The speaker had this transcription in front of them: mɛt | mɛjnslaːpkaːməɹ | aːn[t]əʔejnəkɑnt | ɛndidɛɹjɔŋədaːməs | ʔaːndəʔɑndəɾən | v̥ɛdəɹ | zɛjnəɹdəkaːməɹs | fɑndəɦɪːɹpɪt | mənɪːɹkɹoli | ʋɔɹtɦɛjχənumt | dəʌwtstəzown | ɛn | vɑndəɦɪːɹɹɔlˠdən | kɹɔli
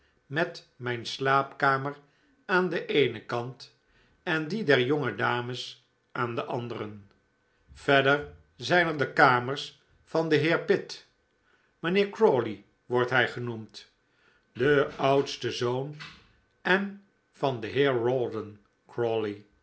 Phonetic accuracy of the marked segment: incorrect: d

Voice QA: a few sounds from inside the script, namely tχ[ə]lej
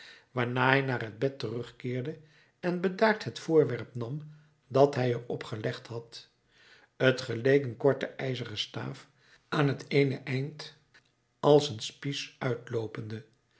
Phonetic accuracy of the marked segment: correct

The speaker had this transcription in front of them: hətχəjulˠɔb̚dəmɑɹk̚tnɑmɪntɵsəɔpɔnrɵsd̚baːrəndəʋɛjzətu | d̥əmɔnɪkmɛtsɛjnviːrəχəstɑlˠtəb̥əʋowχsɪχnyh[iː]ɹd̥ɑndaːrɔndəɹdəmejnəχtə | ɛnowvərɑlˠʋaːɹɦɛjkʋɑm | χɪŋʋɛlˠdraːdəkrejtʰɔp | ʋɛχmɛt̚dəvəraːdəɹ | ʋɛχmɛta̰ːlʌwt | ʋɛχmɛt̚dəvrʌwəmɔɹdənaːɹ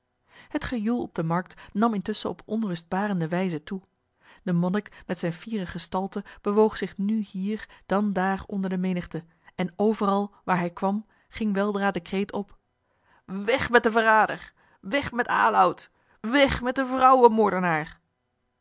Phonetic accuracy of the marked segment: correct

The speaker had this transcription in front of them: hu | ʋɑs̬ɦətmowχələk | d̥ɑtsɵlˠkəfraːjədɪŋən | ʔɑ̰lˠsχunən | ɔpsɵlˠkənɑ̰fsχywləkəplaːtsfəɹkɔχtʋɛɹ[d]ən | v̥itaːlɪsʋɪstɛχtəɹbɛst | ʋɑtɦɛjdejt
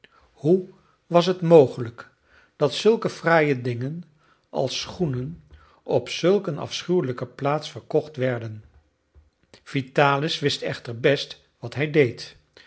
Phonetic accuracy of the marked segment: correct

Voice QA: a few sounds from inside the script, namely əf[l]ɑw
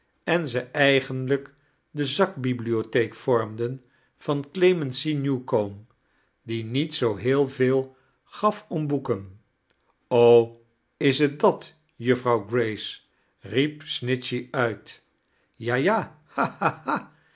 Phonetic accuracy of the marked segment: incorrect: r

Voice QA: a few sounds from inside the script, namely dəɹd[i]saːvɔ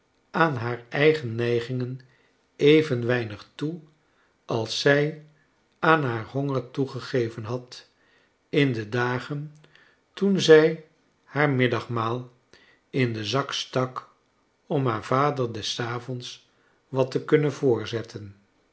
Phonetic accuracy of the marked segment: incorrect: ɛ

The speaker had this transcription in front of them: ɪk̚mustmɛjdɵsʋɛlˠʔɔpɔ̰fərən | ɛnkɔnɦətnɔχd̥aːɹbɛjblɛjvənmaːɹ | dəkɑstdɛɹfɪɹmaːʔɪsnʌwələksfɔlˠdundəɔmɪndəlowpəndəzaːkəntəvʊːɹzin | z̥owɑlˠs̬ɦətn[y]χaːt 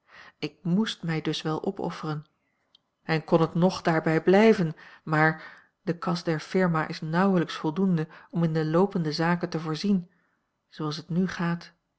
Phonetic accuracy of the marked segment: correct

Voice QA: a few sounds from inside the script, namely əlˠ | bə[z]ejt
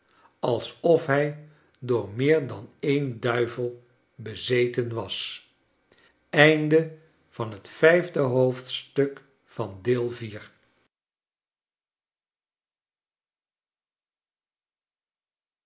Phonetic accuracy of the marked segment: correct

